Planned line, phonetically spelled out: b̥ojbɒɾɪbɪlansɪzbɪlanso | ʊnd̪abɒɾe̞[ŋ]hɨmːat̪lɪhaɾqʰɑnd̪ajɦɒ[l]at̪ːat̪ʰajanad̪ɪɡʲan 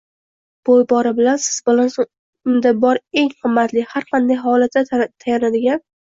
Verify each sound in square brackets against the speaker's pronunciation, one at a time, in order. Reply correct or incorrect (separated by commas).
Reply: correct, correct